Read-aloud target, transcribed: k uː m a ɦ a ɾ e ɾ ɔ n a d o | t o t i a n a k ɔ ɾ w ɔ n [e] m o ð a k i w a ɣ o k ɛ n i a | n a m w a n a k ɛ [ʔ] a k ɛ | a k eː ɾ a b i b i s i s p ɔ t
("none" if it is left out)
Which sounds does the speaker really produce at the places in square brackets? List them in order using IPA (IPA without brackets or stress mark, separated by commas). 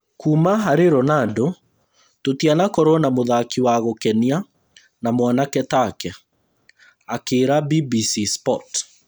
a, t